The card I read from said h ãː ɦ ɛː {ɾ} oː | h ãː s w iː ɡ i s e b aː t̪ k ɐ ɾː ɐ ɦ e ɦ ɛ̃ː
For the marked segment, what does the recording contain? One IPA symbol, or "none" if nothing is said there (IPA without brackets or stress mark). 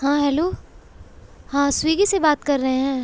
l